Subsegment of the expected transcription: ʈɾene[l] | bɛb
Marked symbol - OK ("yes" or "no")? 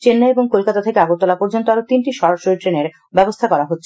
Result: no